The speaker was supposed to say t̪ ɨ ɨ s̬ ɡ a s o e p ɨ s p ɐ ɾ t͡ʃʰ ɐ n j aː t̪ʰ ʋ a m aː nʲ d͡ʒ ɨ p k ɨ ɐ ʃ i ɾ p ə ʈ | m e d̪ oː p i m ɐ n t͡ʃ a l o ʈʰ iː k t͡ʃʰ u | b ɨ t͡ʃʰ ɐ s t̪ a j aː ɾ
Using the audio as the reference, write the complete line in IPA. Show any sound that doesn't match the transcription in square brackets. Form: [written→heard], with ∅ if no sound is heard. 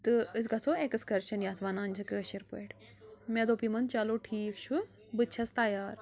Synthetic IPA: t̪ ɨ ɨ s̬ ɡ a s o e [p→k] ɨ s [p→k] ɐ ɾ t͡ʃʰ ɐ n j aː t̪ʰ ʋ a [m→n] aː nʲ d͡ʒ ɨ [p→∅] k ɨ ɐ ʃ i ɾ p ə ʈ | m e d̪ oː p i m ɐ n t͡ʃ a l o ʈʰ iː k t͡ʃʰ u | b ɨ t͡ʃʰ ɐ s t̪ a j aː ɾ